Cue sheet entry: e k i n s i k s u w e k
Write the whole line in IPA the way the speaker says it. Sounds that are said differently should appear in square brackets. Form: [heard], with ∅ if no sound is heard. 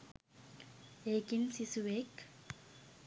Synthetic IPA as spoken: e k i n s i [∅] s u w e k